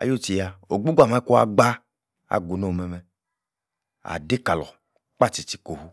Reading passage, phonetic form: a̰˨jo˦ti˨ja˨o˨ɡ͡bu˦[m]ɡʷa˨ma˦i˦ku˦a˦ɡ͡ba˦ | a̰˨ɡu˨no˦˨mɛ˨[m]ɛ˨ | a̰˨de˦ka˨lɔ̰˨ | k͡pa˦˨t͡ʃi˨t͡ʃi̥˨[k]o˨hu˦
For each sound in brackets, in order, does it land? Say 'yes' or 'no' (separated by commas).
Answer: no, yes, yes